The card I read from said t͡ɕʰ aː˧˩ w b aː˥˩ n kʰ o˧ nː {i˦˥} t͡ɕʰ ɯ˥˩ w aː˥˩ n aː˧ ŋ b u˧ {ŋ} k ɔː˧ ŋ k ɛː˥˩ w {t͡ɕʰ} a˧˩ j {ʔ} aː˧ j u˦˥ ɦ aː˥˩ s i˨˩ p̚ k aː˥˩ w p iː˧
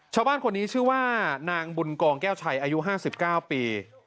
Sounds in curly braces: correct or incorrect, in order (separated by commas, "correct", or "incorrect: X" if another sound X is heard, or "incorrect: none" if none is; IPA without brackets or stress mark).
incorrect: iː˦˥, incorrect: n, correct, correct